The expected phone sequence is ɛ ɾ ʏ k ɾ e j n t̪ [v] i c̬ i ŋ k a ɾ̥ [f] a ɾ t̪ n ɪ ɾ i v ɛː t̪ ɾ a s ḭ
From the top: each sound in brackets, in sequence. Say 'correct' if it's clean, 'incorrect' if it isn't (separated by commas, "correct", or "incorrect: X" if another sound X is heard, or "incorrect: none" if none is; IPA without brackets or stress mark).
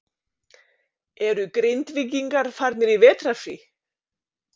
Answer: correct, correct